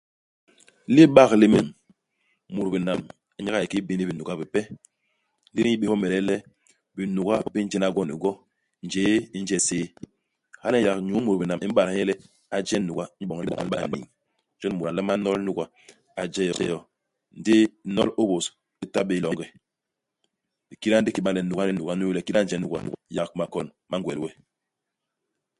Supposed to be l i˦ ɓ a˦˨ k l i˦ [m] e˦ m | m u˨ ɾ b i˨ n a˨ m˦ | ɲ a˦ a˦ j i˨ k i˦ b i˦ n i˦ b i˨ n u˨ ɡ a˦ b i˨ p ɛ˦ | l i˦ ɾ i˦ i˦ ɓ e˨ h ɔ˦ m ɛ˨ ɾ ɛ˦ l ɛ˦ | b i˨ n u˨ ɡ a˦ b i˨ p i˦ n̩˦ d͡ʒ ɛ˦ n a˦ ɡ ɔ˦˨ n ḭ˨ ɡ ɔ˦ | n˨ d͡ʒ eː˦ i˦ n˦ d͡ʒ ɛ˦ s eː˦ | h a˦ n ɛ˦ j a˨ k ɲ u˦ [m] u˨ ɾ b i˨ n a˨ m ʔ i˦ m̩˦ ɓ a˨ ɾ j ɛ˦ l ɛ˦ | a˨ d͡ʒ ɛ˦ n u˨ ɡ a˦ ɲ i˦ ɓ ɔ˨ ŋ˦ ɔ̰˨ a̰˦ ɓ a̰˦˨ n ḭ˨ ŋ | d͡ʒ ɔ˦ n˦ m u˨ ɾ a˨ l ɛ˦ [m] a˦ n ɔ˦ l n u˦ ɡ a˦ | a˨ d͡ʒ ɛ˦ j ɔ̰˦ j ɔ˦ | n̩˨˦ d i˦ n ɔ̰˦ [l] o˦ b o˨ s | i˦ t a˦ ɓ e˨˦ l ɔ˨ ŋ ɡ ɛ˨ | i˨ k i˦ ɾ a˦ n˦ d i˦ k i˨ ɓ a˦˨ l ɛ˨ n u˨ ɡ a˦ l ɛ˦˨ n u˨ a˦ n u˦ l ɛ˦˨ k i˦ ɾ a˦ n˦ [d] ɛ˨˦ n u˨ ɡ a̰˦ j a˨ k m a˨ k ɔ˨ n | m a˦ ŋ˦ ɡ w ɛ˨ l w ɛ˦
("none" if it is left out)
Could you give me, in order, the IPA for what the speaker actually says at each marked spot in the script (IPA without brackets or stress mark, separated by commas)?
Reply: m, m, m, l, d͡ʒ